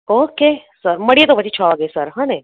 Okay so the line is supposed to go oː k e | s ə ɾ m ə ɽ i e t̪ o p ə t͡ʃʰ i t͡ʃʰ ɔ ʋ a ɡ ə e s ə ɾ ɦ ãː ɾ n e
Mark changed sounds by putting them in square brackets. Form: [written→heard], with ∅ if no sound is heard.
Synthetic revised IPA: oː k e | s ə ɾ m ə ɽ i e t̪ o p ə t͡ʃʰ i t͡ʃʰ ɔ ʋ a ɡ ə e s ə ɾ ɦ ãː [ɾ→∅] n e